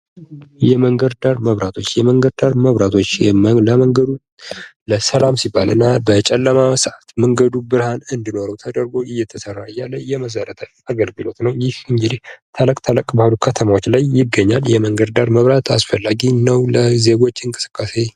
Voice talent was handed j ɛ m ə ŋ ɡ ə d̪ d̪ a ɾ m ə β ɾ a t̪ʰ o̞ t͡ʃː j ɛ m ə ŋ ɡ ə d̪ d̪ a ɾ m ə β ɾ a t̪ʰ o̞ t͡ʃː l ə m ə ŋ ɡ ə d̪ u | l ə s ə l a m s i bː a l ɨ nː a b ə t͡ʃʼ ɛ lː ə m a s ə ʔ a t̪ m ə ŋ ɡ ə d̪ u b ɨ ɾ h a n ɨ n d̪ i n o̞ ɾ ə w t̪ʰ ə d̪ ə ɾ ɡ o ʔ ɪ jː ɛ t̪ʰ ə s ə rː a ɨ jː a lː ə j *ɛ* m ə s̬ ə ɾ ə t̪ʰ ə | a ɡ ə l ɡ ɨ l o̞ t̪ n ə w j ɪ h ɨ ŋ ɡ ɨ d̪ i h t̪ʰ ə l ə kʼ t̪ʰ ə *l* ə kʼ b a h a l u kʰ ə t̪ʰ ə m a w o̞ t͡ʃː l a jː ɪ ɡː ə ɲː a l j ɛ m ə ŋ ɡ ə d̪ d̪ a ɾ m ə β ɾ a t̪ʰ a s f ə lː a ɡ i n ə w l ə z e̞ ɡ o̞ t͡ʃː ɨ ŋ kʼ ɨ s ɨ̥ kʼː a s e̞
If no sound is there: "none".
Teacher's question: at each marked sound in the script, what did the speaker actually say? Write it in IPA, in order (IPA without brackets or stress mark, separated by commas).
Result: ɛ, l